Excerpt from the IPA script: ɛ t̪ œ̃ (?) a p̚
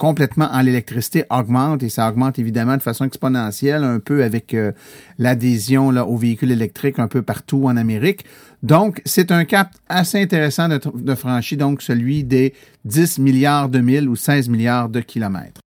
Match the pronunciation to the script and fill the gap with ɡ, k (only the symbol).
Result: k